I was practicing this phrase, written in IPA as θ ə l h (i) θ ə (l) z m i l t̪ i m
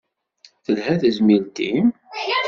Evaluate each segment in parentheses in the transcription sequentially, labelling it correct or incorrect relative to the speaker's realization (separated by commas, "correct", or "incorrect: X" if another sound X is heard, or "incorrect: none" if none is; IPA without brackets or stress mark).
incorrect: æ, incorrect: none